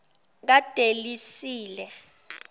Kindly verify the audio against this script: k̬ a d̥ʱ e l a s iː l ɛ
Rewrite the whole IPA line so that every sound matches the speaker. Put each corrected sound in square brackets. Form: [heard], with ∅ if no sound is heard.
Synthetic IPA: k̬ a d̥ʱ e l [i] s iː l ɛ